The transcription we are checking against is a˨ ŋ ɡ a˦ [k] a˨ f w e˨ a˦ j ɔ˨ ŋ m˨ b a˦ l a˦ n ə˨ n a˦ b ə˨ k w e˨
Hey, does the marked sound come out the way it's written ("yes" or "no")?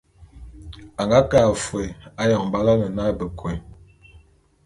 yes